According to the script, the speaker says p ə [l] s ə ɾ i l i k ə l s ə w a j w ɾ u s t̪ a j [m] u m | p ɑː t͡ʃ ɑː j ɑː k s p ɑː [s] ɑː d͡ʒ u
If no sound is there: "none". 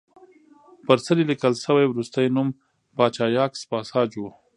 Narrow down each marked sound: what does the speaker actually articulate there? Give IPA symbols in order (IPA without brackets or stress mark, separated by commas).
ɾ, n, s